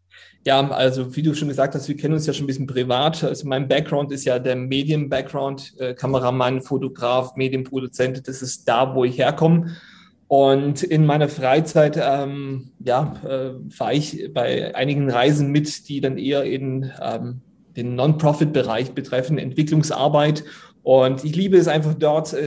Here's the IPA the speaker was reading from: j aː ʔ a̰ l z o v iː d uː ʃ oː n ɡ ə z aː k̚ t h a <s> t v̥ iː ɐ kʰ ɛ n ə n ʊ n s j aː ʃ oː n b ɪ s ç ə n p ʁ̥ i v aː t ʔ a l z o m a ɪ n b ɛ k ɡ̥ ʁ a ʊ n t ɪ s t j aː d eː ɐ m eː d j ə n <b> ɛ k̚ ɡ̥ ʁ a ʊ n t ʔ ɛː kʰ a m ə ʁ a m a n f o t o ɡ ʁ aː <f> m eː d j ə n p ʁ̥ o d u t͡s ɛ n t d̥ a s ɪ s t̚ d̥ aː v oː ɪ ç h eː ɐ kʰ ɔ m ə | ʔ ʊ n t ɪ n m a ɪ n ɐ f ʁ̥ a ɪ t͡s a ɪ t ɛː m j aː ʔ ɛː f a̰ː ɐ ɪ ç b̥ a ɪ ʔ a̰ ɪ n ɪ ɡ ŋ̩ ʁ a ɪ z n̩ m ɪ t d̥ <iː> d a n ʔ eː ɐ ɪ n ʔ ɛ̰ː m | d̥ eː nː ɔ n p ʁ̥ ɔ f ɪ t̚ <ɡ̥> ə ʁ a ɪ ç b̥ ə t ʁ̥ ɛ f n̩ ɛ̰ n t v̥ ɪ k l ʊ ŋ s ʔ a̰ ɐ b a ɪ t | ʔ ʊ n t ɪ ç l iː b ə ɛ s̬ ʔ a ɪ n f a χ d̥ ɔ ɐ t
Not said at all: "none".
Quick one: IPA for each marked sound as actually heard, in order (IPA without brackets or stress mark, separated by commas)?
s, b, f, iː, b̥